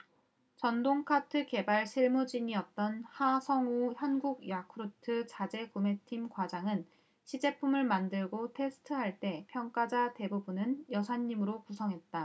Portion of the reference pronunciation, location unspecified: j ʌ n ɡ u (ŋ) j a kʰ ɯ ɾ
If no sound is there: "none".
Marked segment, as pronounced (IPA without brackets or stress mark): ɡ